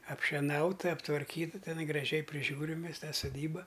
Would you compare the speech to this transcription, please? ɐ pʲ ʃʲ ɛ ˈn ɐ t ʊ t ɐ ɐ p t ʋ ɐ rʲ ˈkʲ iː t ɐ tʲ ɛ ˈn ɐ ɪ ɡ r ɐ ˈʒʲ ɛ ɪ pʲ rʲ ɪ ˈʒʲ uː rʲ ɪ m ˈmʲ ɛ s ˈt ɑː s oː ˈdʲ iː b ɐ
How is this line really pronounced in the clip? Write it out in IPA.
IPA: ɐ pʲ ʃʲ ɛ ˈn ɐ ʊ t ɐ ɐ p t ʋ ɐ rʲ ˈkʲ iː t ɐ tʲ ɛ ˈn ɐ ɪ ɡ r ɐ ˈʒʲ ɛ ɪ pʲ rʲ ɪ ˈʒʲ uː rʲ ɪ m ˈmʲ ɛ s ˈt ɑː s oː ˈdʲ iː b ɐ